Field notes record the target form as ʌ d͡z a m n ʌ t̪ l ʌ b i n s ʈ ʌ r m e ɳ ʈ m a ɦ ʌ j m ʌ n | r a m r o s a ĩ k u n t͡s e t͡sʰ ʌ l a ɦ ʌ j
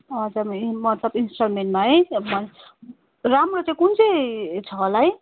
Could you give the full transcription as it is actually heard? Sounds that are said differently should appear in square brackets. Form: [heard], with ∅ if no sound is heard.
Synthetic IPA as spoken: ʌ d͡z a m [m] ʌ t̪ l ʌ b i n s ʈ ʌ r m e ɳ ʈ m a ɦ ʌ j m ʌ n | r a m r o [t͡s] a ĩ k u n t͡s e t͡sʰ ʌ l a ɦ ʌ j